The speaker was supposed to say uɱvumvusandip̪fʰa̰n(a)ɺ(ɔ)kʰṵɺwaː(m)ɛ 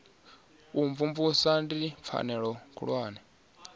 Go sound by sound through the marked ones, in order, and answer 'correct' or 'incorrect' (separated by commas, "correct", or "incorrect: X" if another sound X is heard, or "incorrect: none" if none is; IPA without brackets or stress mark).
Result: incorrect: ɛ, correct, incorrect: n